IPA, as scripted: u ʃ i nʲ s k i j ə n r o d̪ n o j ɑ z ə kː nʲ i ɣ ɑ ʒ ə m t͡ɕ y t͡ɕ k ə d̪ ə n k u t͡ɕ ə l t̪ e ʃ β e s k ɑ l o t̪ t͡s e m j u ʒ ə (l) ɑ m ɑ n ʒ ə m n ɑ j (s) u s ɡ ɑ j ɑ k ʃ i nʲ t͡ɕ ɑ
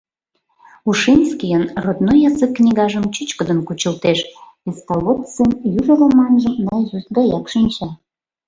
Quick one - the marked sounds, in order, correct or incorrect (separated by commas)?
correct, incorrect